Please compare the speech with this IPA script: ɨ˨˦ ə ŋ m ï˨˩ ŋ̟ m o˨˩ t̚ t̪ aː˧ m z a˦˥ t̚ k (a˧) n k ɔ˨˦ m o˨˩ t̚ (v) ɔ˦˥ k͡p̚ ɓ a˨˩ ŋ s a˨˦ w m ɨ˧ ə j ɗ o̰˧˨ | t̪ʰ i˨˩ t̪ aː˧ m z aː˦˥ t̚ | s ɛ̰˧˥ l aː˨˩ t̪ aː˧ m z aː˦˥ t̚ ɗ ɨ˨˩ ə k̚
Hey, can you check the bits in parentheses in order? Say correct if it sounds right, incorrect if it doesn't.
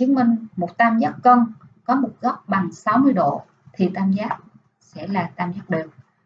incorrect: ə˧, incorrect: ɣ

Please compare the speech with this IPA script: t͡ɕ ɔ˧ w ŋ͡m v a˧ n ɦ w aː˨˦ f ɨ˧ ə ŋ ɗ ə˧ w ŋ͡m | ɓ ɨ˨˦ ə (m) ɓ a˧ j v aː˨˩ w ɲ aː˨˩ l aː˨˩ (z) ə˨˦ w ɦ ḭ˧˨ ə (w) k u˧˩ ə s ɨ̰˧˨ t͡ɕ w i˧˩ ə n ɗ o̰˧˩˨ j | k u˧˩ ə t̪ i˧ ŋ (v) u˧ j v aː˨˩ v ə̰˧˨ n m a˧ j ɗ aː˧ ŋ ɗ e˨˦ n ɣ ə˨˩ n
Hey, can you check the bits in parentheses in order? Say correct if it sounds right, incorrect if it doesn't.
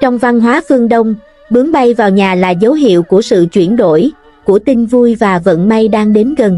incorrect: ŋ, correct, correct, correct

